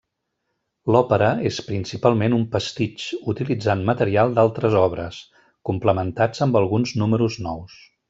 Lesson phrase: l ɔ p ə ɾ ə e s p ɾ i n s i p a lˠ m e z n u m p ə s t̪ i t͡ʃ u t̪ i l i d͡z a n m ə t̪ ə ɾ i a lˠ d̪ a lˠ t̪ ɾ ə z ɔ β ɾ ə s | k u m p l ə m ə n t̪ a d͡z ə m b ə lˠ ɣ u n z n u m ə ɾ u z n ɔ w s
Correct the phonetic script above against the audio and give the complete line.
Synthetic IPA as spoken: l ɔ p ə ɾ ə e s p ɾ i n s i p a lˠ m e n u m p ə s t̪ i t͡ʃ u t̪ i l i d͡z a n m ə t̪ ə ɾ i a lˠ d̪ a lˠ t̪ ɾ ə z ɔ β ɾ ə s | k u m p l ə m ə n t̪ a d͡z ə m b ə lˠ ɣ u n z n u m ə ɾ u z n ɔ w s